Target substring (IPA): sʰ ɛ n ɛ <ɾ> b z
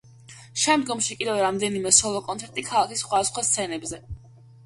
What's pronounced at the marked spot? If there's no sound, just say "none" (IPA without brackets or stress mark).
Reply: none